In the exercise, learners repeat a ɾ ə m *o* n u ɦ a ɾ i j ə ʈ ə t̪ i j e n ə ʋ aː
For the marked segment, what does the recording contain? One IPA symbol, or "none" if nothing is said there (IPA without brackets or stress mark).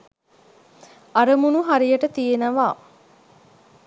u